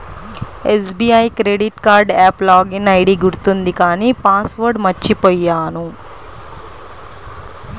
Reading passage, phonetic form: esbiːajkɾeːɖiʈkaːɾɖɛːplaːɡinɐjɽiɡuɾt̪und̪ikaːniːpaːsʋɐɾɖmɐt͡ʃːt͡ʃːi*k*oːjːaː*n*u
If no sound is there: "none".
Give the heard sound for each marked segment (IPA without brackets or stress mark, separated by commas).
p, n